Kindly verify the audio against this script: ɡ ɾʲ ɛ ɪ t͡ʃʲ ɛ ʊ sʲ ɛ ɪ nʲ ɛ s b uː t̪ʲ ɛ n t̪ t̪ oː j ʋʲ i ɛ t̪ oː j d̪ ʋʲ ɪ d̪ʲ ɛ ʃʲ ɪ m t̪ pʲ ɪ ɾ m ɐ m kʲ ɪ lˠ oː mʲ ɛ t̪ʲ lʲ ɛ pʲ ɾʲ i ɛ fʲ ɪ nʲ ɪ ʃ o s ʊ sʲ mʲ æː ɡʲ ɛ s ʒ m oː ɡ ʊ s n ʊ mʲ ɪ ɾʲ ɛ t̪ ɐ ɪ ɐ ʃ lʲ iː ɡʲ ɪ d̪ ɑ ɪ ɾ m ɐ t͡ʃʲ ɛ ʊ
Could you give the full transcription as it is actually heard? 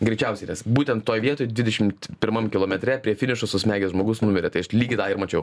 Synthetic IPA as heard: ɡ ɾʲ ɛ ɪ t͡ʃʲ ɛ ʊ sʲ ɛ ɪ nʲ ɛ s b uː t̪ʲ ɛ n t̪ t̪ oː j ʋʲ i ɛ t̪ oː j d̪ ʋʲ ɪ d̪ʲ ɛ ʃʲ ɪ m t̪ pʲ ɪ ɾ m ɐ m kʲ ɪ lˠ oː mʲ ɛ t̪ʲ ɾʲ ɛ pʲ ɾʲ i ɛ fʲ ɪ nʲ ɪ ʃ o s ʊ sʲ mʲ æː ɡʲ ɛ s ʒ m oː ɡ ʊ s n ʊ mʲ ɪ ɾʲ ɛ t̪ ɐ ɪ ɐ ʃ lʲ iː ɡʲ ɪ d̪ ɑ ɪ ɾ m ɐ t͡ʃʲ ɛ ʊ